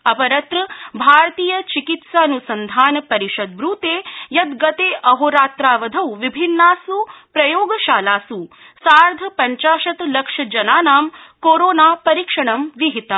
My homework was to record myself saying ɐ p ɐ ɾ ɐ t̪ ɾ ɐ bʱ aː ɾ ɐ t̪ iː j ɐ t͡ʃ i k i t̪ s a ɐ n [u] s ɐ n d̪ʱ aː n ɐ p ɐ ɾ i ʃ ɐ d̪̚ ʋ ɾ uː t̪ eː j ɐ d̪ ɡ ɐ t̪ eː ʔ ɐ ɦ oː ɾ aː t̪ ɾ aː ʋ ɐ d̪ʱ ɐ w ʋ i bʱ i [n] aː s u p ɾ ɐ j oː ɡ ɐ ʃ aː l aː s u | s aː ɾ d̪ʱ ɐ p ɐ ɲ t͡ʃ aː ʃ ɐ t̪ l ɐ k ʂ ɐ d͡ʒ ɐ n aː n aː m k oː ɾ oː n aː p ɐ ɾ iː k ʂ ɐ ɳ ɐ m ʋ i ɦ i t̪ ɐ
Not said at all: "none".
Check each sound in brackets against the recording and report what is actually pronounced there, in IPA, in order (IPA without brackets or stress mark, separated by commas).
u, nː